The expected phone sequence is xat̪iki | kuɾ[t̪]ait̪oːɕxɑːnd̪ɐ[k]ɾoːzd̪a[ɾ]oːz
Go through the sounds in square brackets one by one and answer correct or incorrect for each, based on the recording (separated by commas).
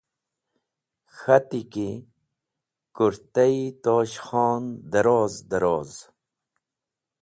correct, incorrect, correct